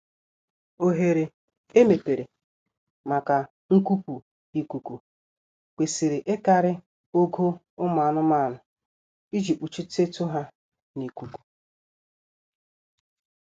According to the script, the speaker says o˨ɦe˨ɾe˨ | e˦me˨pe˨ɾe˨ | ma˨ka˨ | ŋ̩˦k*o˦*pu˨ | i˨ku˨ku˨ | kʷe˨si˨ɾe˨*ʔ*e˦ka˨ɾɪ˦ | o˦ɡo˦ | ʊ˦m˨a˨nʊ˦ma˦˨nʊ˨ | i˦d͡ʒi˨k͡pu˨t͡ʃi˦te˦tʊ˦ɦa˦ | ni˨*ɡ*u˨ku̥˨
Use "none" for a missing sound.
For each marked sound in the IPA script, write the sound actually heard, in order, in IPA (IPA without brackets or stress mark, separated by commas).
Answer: u˦, ʔ, k